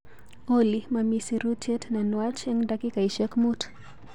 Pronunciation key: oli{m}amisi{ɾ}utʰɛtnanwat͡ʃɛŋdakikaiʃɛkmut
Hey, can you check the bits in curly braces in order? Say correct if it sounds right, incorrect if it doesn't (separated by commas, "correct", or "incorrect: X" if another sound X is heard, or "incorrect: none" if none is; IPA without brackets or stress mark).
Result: correct, correct